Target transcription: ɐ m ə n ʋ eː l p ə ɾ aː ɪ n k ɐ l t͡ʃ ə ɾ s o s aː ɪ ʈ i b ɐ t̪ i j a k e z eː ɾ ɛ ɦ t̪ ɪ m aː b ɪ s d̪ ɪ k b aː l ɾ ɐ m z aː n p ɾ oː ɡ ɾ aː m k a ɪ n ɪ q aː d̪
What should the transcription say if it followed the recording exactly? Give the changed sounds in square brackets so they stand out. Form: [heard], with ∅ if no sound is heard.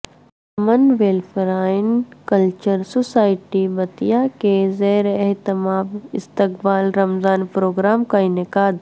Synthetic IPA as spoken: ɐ m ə n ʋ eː l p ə ɾ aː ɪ n k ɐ l t͡ʃ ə ɾ s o s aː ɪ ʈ i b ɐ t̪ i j a k e z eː ɾ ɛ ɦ t̪ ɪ m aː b ɪ s [t̪] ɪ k b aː l ɾ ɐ m z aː n p ɾ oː ɡ ɾ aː m k a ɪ n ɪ [k] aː d̪